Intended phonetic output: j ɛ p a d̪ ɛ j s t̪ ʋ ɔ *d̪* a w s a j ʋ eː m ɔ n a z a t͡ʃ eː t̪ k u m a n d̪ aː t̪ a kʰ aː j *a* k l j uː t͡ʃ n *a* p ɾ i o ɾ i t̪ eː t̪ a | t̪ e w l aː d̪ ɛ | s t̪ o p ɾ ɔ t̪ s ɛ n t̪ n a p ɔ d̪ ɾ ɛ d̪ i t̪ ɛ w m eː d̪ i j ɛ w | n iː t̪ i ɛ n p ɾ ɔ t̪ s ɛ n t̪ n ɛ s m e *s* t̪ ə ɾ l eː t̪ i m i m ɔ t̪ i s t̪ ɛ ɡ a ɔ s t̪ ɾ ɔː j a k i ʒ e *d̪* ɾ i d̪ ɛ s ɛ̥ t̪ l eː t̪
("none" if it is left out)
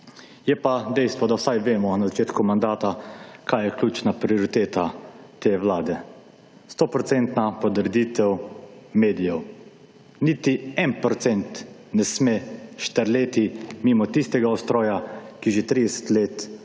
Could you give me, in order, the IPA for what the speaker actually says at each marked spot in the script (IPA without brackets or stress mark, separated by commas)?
d̪, ɛ, a, ʃ, t̪